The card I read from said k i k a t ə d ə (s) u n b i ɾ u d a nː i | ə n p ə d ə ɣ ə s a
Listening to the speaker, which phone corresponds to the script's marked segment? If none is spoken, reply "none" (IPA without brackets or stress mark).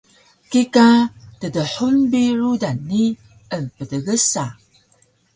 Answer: ħ